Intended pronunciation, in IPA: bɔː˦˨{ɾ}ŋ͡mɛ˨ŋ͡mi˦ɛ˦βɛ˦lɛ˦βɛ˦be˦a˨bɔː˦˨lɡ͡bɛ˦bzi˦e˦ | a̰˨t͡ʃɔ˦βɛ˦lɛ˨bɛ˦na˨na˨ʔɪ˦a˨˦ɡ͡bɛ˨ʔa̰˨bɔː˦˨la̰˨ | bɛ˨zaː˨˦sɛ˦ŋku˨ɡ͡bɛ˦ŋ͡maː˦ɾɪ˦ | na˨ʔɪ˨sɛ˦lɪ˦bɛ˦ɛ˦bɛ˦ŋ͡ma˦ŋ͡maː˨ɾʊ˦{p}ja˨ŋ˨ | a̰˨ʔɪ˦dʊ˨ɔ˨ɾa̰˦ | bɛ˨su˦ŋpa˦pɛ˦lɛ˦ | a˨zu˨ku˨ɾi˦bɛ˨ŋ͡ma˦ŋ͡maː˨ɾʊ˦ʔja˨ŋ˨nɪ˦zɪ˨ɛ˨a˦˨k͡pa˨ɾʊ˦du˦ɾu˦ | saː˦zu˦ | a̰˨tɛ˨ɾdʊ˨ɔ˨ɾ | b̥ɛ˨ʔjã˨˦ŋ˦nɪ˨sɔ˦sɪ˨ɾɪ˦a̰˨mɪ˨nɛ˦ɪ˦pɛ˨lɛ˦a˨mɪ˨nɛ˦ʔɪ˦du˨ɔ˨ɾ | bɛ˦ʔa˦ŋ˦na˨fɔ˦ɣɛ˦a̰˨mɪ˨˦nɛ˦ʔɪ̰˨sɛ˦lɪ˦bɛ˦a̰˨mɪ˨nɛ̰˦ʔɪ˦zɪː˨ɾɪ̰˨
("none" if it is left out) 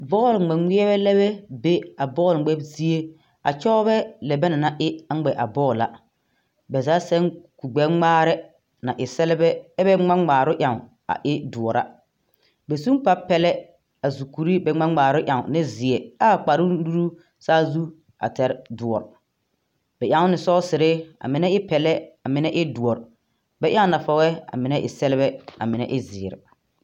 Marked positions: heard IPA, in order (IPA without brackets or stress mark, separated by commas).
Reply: l, ʔ